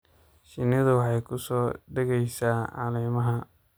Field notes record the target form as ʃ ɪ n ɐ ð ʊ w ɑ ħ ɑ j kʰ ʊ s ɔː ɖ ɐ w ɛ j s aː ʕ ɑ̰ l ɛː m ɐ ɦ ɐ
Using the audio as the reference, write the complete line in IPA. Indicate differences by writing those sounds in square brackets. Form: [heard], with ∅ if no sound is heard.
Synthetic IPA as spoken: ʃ ɪ n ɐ ð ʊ w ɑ ħ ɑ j kʰ ʊ s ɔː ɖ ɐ [ɣ] ɛ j s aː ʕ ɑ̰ l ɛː m ɐ ɦ ɐ